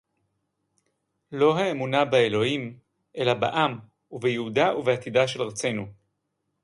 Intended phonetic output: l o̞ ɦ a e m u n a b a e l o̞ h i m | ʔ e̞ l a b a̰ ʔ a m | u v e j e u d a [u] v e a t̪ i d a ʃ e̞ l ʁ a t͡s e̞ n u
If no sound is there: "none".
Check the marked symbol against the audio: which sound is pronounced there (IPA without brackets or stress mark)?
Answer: u